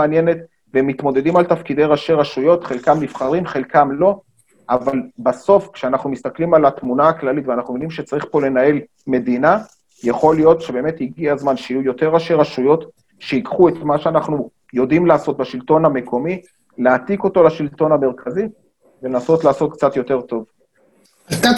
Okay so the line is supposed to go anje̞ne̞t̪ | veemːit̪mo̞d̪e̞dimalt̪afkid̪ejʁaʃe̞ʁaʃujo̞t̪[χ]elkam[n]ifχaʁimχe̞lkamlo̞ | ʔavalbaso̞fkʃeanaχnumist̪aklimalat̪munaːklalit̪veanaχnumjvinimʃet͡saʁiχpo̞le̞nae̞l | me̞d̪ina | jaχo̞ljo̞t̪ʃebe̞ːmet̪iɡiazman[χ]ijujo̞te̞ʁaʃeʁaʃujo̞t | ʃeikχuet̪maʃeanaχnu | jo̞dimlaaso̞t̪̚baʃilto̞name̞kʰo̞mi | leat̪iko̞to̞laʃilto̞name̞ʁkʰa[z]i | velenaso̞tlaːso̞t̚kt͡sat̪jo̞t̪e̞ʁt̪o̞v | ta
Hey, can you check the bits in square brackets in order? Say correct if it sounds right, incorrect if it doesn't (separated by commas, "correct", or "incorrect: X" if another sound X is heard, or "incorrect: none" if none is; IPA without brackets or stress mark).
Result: correct, correct, incorrect: ʃ, correct